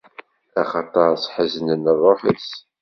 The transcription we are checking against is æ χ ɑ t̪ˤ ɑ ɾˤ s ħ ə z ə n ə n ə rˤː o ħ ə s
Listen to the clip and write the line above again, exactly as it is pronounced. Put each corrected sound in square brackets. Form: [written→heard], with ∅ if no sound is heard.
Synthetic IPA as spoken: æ χ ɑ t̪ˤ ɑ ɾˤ s ħ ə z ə n ə n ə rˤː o ħ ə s